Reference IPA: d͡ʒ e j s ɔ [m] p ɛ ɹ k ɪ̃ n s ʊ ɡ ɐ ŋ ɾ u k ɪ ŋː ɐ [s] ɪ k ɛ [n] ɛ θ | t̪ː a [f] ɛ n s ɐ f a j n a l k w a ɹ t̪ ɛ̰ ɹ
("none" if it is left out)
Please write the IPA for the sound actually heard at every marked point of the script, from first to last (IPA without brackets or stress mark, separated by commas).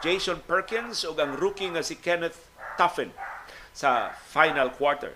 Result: n, s, n, f